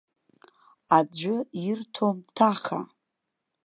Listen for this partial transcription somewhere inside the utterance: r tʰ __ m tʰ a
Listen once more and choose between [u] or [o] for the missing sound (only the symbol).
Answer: o